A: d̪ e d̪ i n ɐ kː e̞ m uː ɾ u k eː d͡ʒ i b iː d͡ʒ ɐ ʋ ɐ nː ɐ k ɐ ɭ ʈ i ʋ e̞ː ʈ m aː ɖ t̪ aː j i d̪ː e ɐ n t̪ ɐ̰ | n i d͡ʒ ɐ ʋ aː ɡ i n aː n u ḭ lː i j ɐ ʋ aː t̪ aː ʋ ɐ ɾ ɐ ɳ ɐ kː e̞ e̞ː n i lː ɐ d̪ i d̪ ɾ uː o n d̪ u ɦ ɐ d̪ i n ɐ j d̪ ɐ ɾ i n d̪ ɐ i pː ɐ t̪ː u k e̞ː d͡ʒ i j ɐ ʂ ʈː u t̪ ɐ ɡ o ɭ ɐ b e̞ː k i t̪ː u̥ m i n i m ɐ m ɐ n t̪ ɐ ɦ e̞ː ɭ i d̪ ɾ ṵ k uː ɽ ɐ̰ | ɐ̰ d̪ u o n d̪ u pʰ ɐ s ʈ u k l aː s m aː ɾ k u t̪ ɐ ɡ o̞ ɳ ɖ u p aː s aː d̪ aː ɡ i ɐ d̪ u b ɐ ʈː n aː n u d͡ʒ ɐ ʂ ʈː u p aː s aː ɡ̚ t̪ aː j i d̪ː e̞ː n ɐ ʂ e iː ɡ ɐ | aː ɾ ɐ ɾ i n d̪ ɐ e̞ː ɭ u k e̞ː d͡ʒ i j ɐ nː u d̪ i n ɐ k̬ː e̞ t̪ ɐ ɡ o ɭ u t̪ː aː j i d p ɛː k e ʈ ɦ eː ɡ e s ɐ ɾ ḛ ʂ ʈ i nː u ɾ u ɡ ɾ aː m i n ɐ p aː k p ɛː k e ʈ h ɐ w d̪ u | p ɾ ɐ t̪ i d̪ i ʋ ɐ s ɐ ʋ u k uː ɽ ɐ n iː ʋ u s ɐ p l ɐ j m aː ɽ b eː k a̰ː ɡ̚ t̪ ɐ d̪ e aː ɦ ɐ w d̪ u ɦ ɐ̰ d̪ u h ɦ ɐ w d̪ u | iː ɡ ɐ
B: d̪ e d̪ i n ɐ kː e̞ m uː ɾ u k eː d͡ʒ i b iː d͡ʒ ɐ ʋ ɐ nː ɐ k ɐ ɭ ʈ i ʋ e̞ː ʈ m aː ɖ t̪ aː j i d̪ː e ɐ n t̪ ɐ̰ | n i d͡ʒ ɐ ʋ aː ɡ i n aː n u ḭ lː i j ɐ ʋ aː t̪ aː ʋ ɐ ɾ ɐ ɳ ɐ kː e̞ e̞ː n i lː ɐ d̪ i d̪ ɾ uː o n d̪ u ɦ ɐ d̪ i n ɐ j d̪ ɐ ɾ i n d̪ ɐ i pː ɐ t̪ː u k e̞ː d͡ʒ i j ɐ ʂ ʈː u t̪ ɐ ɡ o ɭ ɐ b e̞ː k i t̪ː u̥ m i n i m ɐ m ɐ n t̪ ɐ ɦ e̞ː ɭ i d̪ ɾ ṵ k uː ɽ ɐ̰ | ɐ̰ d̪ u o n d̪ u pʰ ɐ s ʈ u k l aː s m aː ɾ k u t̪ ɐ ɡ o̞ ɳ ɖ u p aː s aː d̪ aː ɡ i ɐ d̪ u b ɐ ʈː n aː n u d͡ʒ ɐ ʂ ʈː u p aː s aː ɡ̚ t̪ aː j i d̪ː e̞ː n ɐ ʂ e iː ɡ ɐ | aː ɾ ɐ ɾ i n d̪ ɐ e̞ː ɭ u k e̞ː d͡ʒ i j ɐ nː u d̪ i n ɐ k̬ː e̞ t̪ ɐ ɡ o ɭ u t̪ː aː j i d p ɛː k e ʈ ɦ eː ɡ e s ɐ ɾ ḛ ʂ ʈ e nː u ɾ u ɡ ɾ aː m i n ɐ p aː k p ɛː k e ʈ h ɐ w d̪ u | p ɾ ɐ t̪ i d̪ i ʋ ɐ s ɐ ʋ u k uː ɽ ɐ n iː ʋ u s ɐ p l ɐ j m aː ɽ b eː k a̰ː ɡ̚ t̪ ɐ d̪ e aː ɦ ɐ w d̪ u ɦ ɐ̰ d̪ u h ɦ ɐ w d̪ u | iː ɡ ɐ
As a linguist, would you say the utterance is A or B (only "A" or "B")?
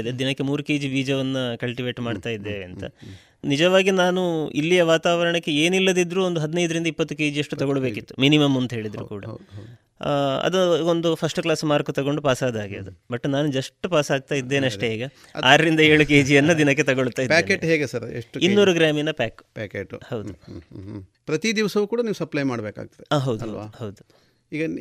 A